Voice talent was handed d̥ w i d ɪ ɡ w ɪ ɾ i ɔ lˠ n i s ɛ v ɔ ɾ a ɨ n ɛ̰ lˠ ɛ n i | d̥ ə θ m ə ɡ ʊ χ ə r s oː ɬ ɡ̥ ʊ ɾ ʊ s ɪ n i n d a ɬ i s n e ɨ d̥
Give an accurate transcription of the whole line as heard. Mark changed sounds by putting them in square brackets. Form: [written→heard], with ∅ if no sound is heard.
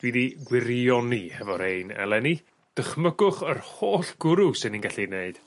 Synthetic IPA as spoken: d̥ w i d [ɪ→i] ɡ w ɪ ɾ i ɔ [lˠ→∅] n i [s→h] ɛ v ɔ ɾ [a→e] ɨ n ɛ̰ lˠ ɛ n i | d̥ ə [θ→χ] m ə ɡ ʊ χ ə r [s→h] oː ɬ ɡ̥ ʊ ɾ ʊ s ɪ n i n [d→ɡ] a ɬ i [s→∅] n e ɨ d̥